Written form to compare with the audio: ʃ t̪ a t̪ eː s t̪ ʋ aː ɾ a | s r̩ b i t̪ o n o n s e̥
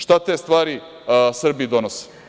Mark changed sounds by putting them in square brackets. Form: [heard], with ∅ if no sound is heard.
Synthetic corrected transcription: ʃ t̪ a t̪ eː s t̪ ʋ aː ɾ [i] | s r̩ b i [d̪] o n o [∅] s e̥